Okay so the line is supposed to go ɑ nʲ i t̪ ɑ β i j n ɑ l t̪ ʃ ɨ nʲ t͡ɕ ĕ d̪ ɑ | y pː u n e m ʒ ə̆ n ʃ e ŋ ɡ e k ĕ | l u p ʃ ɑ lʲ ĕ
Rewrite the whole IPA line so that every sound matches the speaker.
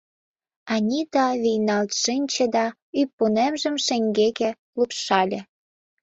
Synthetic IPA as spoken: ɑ nʲ i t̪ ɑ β i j n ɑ l t̪ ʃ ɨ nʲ t͡ɕ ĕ d̪ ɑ | y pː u n e m ʒ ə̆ m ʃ e ŋ ɡ e k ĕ | l u p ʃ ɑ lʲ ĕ